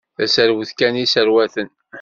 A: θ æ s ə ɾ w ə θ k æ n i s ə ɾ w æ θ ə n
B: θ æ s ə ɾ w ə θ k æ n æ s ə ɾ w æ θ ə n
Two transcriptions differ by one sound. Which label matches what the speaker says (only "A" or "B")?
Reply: A